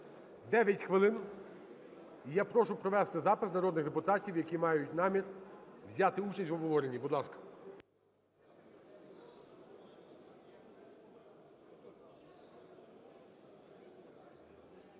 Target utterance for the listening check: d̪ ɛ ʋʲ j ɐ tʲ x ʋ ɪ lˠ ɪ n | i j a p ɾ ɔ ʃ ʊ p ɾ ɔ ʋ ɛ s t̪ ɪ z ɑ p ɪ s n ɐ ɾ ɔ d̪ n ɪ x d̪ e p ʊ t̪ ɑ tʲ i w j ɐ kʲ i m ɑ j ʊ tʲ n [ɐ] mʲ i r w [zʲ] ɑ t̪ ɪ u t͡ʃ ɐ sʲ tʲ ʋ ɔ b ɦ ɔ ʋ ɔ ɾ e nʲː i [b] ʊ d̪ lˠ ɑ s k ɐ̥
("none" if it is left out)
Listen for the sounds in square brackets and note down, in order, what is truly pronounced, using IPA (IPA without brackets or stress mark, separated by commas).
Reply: ɑ, zʲ, b